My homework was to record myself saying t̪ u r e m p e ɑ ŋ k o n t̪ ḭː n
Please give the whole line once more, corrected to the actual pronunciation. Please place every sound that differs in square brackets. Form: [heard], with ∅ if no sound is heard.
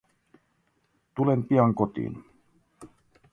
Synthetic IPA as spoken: t̪ u [l] e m p [i] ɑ ŋ k o [∅] t̪ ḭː n